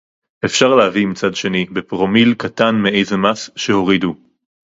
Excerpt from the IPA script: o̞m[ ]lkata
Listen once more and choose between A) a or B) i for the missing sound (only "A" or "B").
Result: B